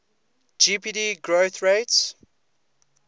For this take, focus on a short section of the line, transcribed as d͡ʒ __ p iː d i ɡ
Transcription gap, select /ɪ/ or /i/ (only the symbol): i